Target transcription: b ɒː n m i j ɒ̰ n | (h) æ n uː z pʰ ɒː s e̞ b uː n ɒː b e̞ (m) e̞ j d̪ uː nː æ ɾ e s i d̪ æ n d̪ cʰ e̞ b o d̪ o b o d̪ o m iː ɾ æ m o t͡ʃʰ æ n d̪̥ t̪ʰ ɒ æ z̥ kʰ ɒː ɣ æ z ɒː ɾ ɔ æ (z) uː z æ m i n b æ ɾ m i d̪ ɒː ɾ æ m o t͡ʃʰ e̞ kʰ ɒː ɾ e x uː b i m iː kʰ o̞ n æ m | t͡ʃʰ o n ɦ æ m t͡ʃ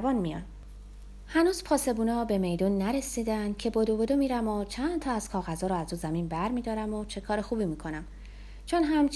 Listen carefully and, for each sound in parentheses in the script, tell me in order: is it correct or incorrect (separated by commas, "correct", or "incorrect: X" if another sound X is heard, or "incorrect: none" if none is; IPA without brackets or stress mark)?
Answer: correct, correct, correct